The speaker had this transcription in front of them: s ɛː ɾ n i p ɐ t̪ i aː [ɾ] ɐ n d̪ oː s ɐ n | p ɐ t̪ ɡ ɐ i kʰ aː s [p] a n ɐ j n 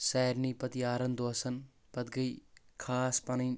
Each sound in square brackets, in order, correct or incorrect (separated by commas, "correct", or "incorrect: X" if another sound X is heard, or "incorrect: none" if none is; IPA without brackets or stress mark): correct, correct